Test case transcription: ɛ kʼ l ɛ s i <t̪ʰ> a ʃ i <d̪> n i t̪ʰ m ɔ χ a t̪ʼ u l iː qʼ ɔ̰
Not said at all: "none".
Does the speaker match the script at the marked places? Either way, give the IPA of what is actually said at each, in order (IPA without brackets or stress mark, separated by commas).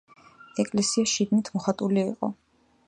none, d̪